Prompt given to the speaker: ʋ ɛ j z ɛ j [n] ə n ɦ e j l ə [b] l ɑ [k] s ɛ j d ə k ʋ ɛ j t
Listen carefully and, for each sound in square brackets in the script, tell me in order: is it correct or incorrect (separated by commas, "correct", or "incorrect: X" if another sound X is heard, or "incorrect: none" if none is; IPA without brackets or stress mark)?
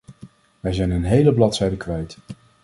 correct, correct, incorrect: t